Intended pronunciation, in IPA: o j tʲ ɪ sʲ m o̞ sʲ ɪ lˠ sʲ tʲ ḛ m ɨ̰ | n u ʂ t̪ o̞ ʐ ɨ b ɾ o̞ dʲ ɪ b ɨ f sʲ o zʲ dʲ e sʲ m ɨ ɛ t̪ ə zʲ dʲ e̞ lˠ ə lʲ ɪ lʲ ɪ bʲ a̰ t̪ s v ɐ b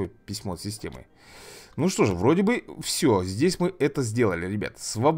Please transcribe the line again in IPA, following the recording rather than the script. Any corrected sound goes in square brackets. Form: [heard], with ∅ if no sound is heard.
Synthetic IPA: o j [pʲ] ɪ sʲ m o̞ sʲ ɪ [∅] sʲ tʲ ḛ m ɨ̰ | n u ʂ t̪ o̞ ʐ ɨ [v] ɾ o̞ dʲ ɪ b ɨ f sʲ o zʲ dʲ e sʲ m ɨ ɛ t̪ ə zʲ dʲ e̞ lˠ ə lʲ ɪ [ɾʲ] ɪ bʲ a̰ t̪ s v ɐ b